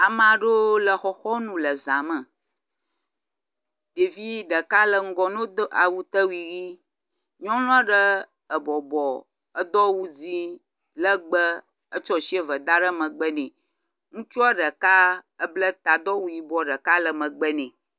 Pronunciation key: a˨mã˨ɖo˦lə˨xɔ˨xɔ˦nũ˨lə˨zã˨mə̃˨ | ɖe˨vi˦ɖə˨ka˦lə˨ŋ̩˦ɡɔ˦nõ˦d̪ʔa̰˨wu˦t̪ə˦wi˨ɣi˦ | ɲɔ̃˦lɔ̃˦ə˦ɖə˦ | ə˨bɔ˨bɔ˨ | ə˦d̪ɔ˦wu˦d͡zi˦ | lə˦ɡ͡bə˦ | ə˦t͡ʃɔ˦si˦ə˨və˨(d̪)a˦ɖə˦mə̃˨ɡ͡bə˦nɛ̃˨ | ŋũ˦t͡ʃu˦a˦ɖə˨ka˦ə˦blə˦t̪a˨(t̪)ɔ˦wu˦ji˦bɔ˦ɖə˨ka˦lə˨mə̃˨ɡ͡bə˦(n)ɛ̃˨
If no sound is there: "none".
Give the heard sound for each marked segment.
d̪, d̪, n

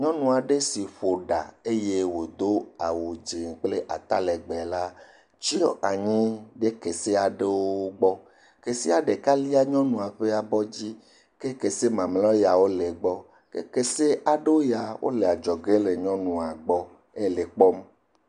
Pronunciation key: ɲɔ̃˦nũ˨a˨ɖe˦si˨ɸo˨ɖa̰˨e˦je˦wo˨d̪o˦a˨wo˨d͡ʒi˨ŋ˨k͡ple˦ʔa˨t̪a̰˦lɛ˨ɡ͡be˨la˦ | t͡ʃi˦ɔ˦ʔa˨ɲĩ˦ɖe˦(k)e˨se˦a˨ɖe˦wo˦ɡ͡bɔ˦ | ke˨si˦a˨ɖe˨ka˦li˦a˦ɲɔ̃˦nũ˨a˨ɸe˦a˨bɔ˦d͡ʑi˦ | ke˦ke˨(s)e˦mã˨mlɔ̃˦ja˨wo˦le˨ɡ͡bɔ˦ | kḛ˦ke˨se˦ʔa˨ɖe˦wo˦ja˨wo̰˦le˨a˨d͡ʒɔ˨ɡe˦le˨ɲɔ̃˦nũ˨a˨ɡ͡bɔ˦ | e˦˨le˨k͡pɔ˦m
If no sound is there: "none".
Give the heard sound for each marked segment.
k, s

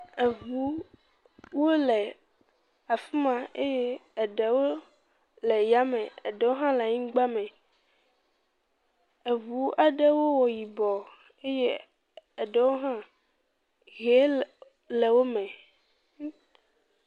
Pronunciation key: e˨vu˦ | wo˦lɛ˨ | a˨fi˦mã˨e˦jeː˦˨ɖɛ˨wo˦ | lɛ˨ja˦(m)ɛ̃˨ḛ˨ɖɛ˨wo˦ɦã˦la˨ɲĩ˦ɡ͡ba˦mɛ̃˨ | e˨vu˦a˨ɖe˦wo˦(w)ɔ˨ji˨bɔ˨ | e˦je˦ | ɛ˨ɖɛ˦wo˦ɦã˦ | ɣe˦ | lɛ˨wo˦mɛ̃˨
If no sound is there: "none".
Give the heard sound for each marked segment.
m, w

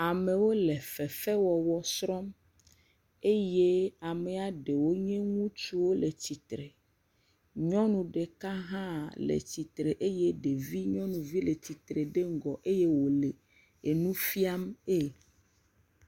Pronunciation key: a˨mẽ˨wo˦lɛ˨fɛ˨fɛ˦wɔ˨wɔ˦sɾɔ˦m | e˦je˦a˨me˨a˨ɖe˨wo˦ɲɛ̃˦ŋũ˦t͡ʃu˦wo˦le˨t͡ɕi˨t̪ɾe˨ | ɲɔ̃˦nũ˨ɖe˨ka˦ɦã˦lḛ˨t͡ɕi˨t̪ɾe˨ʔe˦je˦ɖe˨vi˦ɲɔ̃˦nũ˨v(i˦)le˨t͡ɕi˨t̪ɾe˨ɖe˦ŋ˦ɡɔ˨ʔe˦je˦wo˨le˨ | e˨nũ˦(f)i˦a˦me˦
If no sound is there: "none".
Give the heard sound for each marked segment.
i˦, f

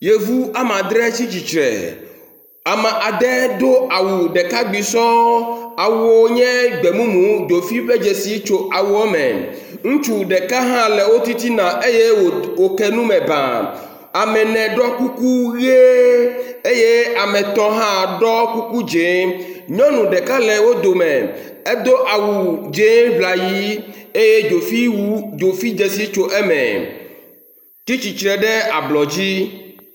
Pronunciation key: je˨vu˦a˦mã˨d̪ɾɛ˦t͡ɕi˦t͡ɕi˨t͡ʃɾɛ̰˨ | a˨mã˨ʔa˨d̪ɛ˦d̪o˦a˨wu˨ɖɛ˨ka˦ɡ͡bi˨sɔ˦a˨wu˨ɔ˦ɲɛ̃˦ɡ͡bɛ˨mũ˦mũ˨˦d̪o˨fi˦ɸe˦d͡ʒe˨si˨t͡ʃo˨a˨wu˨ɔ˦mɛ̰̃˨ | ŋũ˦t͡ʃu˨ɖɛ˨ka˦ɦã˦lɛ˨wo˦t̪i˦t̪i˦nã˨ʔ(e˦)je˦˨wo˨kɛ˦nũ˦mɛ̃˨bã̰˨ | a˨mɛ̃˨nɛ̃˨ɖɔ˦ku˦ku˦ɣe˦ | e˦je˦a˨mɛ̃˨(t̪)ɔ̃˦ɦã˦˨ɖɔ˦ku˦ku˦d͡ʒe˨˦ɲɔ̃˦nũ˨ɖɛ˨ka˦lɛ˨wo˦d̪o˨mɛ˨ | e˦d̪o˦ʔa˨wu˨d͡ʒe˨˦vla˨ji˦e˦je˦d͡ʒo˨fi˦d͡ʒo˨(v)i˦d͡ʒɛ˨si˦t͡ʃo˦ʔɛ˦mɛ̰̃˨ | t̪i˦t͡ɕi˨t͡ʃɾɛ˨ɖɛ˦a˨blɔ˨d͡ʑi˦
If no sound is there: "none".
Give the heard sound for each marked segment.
e˦, t̪, f

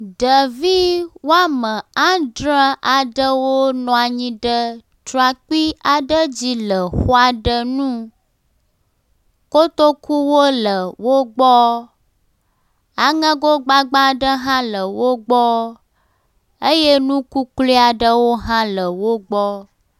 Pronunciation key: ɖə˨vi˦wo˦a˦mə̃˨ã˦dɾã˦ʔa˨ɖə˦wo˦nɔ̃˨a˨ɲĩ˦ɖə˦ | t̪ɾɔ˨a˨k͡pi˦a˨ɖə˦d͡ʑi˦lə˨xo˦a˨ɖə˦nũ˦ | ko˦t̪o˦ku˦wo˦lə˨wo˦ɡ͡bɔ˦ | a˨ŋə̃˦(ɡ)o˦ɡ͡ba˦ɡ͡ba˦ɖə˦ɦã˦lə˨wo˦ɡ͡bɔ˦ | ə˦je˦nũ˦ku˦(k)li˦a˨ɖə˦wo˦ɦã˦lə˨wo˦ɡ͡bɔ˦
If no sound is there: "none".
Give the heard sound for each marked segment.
ɡ, k

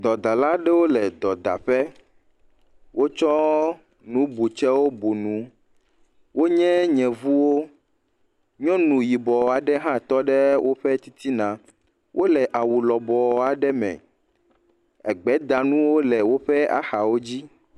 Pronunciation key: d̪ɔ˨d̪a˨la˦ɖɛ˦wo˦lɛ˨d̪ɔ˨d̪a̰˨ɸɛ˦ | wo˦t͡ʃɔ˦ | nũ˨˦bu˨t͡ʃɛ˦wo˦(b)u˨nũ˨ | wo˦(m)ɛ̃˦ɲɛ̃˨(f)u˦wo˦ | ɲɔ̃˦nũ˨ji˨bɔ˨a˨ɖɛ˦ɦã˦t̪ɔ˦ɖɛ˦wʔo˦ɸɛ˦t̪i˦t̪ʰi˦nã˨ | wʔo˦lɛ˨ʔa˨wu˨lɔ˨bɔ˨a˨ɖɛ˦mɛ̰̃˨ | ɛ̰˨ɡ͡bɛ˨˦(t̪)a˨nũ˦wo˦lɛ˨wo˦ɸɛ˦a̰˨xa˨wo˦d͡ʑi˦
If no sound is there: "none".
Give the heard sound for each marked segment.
b, ɲ, v, d̪

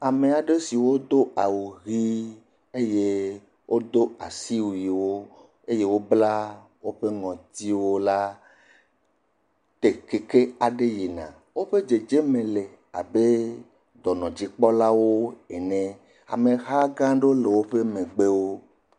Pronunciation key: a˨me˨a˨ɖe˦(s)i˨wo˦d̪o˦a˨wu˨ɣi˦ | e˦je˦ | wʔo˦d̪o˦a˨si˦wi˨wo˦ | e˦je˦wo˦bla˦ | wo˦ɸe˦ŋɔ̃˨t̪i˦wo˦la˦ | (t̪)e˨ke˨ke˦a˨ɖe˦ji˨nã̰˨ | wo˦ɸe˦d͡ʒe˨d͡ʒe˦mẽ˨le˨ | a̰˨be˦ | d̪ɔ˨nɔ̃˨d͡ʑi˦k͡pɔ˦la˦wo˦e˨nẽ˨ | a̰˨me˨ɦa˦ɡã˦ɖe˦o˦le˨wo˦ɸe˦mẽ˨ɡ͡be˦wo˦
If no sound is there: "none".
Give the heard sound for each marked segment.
s, t̪

